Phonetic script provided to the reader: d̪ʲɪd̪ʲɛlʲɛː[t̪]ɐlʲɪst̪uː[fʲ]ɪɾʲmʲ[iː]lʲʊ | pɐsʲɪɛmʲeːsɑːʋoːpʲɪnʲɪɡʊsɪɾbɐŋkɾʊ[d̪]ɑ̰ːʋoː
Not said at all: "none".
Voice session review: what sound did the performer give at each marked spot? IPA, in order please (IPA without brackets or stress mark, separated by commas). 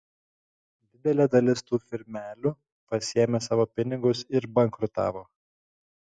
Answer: d̪, fʲ, æː, t̪